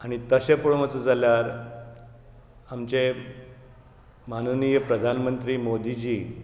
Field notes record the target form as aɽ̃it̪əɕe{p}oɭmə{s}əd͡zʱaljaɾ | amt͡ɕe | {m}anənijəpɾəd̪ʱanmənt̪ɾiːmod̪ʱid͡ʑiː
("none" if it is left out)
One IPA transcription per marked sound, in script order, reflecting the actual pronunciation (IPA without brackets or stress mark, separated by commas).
p, t͡s, m